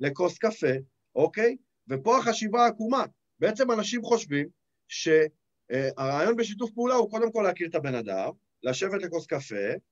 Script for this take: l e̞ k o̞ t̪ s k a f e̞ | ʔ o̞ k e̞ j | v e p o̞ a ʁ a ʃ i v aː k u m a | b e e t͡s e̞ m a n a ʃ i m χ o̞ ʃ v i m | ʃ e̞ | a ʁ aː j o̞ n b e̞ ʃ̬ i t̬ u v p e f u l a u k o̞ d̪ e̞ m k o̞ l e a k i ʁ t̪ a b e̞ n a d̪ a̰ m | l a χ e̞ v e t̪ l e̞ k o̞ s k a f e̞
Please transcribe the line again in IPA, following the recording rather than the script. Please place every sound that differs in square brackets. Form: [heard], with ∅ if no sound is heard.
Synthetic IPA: l e̞ k o̞ [∅] s k a f e̞ | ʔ o̞ k e̞ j | v e p o̞ a [χ] a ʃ i v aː k u m a | b e e t͡s e̞ m a n a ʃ i m χ o̞ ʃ v i m | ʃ e̞ | a ʁ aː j o̞ n b e̞ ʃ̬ i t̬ u [f] p e [∅] u l a u k o̞ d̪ e̞ m k o̞ l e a k i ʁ t̪ a b e̞ n a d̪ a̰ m | l a [ʃ] e̞ v e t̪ l e̞ k o̞ s k a f e̞